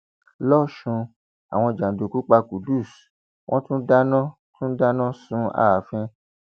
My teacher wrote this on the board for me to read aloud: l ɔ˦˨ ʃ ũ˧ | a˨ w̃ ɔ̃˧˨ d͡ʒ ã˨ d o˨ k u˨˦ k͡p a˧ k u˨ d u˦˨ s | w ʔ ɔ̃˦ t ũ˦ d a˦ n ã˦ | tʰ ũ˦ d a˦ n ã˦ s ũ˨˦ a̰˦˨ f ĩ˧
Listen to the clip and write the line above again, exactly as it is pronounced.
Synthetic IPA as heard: l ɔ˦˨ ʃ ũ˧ | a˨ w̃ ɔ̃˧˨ d͡ʒ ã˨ d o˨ k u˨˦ k͡p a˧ k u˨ d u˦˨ s | w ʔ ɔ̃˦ t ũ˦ d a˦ n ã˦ | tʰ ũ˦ d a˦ n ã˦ s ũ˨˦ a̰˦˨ f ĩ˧